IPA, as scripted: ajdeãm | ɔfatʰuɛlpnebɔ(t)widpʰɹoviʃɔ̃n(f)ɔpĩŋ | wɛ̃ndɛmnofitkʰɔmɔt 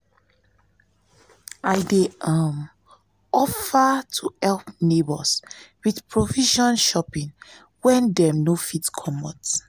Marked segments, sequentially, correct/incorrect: incorrect, incorrect

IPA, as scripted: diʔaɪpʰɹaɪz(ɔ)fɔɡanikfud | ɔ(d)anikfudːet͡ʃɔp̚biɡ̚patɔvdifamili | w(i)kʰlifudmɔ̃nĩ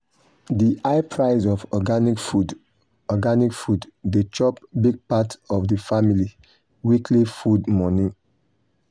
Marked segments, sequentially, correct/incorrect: correct, incorrect, correct

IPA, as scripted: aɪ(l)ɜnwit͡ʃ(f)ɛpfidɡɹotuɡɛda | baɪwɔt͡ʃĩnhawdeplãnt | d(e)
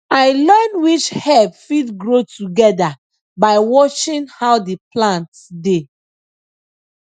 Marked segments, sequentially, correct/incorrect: correct, incorrect, correct

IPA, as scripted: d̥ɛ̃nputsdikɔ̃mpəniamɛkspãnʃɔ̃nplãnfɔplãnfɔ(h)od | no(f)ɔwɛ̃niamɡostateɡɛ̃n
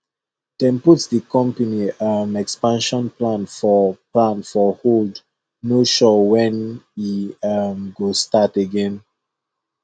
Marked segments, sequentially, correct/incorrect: correct, incorrect

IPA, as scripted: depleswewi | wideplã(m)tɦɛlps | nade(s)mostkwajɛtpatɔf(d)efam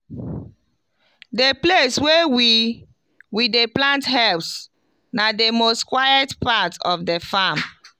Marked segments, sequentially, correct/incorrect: incorrect, incorrect, correct

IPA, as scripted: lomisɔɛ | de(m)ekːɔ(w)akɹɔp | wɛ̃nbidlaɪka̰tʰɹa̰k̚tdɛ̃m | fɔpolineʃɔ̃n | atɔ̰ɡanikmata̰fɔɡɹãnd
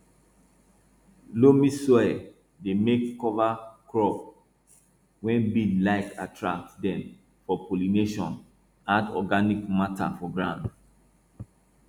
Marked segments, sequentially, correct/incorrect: correct, incorrect

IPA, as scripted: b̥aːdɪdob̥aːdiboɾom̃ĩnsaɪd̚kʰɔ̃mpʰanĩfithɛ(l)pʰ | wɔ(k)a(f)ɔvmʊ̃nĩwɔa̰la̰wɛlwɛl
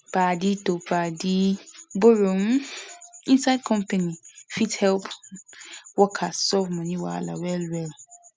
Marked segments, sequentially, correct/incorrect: correct, incorrect, incorrect

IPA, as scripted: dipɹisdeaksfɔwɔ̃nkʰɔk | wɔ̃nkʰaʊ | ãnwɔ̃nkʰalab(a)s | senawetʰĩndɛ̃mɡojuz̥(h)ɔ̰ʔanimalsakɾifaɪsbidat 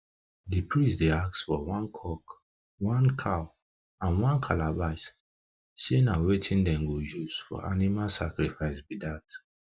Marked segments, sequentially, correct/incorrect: correct, incorrect

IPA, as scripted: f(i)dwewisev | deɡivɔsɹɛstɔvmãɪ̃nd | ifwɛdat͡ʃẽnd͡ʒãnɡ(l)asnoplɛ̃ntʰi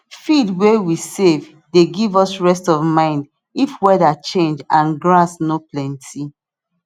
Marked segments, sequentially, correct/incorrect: correct, incorrect

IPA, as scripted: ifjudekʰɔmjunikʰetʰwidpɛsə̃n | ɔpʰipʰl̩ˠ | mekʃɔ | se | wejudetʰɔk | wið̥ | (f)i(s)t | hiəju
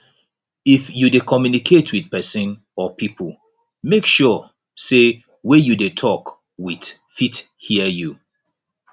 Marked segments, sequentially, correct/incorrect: correct, incorrect

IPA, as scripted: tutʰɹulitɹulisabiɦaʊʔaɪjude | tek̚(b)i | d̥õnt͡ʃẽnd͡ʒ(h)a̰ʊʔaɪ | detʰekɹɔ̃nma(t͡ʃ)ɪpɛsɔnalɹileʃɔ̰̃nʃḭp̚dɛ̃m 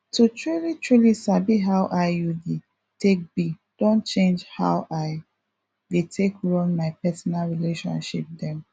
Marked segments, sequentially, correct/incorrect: correct, correct, incorrect

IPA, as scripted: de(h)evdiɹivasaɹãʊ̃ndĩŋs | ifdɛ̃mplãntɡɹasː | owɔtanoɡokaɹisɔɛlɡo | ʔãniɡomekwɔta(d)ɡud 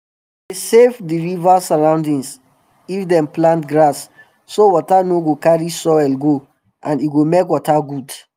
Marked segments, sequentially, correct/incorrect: incorrect, incorrect

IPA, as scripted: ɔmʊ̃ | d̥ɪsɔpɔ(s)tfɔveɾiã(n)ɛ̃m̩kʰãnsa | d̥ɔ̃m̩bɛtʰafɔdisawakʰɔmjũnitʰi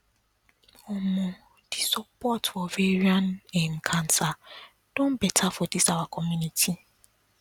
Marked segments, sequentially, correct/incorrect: incorrect, correct

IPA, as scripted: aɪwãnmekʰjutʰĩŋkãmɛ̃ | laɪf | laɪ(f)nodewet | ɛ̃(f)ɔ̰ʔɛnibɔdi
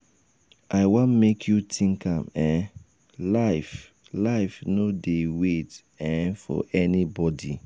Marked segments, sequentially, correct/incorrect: correct, correct

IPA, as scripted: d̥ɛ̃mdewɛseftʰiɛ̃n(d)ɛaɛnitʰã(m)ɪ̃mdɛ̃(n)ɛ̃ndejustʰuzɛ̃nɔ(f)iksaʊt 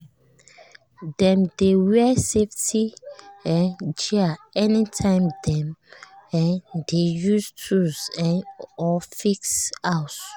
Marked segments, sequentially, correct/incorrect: incorrect, incorrect, incorrect, correct

